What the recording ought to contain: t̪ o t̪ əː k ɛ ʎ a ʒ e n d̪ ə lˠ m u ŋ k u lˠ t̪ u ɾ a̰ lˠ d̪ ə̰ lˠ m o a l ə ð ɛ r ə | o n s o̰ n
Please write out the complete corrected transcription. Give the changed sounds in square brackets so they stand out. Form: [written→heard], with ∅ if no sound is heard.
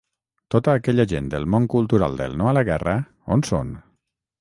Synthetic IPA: t̪ o t̪ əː k ɛ ʎ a ʒ e n d̪ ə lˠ m [u→o] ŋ k u lˠ t̪ u ɾ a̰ lˠ d̪ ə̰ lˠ [m→n] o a l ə [ð→ɣ] ɛ r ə | o n s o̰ n